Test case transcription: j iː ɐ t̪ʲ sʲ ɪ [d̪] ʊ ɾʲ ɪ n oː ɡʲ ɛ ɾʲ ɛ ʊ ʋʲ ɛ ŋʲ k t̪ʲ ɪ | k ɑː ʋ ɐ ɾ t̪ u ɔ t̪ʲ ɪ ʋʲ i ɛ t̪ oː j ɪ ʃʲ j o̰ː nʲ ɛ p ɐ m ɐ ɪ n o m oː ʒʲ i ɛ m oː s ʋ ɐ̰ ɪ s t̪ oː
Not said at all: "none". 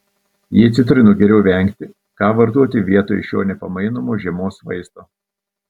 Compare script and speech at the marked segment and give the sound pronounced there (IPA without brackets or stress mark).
t̪